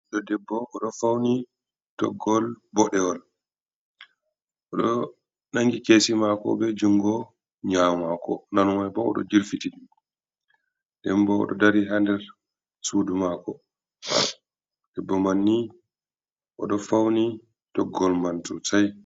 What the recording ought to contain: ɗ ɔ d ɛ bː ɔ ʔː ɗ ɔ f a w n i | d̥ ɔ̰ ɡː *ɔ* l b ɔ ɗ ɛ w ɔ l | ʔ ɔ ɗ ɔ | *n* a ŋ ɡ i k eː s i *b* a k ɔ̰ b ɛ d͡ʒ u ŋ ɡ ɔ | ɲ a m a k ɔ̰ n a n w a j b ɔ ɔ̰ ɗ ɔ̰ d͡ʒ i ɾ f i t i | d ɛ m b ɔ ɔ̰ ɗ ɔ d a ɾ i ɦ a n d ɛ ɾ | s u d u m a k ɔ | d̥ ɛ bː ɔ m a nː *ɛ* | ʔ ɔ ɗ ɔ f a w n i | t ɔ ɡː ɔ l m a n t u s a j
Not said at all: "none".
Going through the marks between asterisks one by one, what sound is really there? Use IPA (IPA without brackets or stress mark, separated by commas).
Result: ɔ, n, m, i